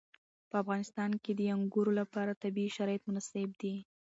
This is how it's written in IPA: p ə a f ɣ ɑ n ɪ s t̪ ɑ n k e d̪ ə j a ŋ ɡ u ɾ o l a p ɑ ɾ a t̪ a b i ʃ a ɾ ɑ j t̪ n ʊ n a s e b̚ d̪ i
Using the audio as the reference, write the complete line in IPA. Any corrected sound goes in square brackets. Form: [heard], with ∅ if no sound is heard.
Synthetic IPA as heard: p ə a f ɣ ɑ n ɪ s t̪ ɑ n k e d̪ ə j a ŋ ɡ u ɾ o l a p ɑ ɾ a t̪ a b i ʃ a ɾ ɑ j t̪ [m] ʊ n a s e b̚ d̪ i